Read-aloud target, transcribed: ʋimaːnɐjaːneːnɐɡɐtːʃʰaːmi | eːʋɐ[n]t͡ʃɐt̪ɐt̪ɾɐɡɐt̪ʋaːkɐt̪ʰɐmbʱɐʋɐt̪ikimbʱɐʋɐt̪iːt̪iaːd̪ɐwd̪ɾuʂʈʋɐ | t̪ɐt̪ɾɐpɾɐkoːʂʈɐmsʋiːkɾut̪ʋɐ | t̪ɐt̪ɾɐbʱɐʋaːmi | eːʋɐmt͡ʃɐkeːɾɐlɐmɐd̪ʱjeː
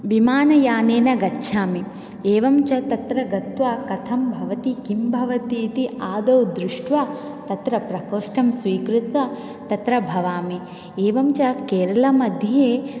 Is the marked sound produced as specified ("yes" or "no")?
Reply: no